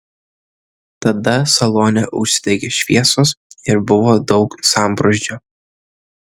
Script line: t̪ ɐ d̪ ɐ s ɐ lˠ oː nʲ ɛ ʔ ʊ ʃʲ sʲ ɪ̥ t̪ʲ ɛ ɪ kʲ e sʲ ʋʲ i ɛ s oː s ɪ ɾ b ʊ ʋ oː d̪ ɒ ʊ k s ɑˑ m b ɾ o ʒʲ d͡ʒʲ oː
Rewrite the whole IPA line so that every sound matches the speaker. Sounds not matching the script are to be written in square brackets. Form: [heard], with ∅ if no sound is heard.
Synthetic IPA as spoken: t̪ ɐ d̪ ɐ s ɐ lˠ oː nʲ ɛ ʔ ʊ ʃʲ sʲ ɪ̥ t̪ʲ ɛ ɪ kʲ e [ʃʲ] ʋʲ i ɛ s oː s ɪ ɾ b ʊ ʋ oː d̪ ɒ ʊ k s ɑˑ m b ɾ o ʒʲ d͡ʒʲ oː